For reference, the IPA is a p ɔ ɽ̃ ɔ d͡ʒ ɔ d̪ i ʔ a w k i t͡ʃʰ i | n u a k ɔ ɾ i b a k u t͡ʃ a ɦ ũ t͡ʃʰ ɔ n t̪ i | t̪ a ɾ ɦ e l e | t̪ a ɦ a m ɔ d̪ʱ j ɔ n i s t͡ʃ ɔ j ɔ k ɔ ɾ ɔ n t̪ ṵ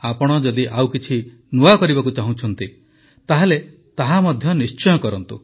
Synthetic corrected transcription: a p ɔ ɽ̃ ɔ d͡ʒ ɔ d̪ i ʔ a w k i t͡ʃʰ i | n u a k ɔ ɾ i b a k u t͡ʃ a ɦ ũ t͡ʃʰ ɔ n t̪ i | t̪ a ɦ e l e | t̪ a ɦ a m ɔ d̪ʱ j ɔ n i s t͡ʃ ɔ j ɔ k ɔ ɾ ɔ n t̪ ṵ